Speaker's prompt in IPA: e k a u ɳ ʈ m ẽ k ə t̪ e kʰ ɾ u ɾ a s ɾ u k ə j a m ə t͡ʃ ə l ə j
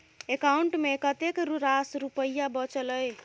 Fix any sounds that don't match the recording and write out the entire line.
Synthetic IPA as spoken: e k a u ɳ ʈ m e k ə t̪ e k ɾ u ɾ a s ɾ u p ə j a b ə t͡ʃ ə l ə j